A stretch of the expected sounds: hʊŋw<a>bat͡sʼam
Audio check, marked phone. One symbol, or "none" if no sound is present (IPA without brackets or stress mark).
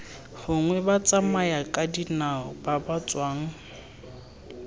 ɛ